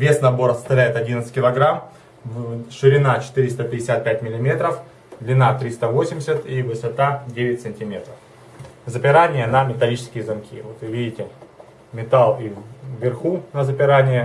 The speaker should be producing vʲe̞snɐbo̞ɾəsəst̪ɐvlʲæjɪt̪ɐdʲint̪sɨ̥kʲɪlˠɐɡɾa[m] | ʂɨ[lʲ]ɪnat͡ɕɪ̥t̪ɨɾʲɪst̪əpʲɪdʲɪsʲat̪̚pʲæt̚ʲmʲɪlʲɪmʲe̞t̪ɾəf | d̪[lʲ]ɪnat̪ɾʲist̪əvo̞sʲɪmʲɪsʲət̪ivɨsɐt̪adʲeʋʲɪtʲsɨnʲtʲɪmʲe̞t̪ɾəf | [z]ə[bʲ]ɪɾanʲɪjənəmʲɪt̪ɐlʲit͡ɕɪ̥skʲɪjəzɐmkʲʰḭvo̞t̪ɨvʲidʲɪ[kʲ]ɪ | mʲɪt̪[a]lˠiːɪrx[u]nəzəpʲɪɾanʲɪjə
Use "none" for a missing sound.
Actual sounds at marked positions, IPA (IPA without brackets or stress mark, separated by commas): m, ɾʲ, lʲ, z, pʲ, tʲ, a, u